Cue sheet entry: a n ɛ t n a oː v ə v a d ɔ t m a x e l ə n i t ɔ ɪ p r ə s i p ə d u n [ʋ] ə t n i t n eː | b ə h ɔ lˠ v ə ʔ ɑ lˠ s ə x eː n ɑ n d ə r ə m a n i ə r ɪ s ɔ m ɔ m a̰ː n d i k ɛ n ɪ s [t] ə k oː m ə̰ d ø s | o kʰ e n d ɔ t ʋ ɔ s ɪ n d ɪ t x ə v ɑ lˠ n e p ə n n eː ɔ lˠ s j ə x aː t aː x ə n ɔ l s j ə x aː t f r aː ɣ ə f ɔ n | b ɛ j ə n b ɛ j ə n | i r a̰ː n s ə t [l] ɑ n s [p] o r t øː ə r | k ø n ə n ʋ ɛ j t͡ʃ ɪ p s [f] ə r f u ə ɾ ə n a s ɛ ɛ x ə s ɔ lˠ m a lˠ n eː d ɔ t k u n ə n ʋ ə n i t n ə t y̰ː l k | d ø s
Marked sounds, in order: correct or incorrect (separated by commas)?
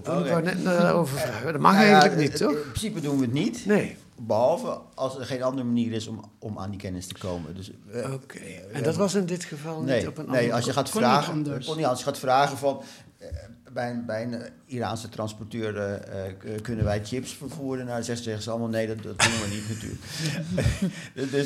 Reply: correct, correct, incorrect, correct, correct